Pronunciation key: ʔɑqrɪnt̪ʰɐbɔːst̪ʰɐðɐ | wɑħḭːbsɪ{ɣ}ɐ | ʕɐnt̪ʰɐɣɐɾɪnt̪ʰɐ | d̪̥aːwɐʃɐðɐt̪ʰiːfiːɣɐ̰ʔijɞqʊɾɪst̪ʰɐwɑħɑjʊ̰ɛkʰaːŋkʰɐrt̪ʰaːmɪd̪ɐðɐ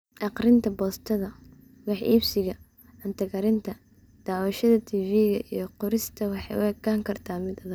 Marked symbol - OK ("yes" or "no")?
yes